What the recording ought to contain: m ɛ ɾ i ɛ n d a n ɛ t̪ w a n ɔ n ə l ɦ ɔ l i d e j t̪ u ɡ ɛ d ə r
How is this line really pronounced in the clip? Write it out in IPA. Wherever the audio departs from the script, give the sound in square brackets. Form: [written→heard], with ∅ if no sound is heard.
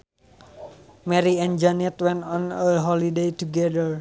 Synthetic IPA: m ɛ ɾ i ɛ n [d→d͡ʒ] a n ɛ t̪ w [a→ɛ] n ɔ n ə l ɦ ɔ l i d e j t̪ u ɡ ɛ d ə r